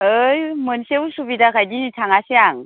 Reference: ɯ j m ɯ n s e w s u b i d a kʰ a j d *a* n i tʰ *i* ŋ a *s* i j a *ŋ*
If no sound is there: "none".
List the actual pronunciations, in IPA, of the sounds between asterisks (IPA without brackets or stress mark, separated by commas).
i, a, s, ŋ